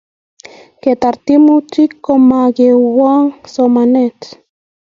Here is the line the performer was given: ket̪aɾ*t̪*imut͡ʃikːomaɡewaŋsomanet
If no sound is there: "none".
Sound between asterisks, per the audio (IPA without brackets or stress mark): t̪